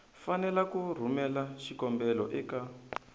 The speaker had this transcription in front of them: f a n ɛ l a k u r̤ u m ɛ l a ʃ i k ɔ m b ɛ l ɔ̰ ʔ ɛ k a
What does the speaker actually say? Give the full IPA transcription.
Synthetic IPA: f a n ɛ l a k u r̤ u m ɛ l a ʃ i k ɔ m b ɛ l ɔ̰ ʔ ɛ k a